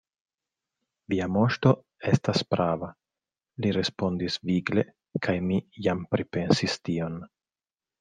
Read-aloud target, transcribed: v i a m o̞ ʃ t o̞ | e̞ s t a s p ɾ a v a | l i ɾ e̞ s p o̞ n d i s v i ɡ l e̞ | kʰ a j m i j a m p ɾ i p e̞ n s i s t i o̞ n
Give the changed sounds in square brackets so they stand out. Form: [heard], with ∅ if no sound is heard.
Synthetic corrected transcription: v i a m o̞ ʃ t o̞ | e̞ s t a s p ɾ a v a | l i ɾ e̞ s p o̞ n d i s v i ɡ l e̞ | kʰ a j m i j a m p ɾ i p e̞ n s i s t i o̞ n

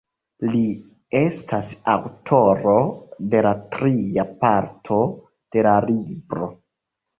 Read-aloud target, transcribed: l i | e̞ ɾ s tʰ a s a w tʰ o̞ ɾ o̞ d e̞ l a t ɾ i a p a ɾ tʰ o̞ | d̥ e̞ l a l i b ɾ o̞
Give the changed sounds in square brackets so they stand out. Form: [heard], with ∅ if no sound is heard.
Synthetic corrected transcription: l i | e̞ [∅] s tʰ a s a w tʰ o̞ ɾ o̞ d e̞ l a t ɾ i a p a ɾ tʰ o̞ | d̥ e̞ l a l i b ɾ o̞

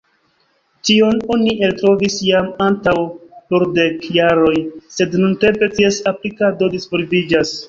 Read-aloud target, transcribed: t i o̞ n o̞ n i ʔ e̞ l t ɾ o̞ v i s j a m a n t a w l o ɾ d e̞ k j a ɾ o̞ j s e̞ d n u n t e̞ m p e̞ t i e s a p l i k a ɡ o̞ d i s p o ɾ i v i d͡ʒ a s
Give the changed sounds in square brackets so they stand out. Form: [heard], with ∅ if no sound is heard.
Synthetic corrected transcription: t i o̞ n o̞ n i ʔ e̞ l t ɾ o̞ v i s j a m a n t a w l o ɾ d e̞ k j a ɾ o̞ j s e̞ d n u n t e̞ m p e̞ t i e s a p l i k a [d] o̞ d i s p o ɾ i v i d͡ʒ a s

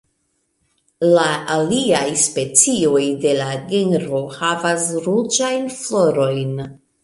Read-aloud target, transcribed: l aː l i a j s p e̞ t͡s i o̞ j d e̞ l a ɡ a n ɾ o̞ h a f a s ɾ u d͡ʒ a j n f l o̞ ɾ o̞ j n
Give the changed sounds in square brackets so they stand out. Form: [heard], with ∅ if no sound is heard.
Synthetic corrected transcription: l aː l i a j s p e̞ t͡s i o̞ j d e̞ l a ɡ [e] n ɾ o̞ h a [v] a s ɾ u d͡ʒ a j n f l o̞ ɾ o̞ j n

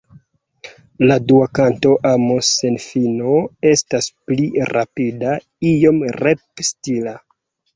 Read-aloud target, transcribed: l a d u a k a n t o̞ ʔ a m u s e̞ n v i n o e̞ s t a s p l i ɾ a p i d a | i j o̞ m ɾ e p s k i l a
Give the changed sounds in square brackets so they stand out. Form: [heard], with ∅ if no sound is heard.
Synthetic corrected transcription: l a d u a k a n t o̞ ʔ a m [o] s e̞ n [f] i n o e̞ s t a s p l i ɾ a p i d a | i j o̞ m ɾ e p s [t] i l a

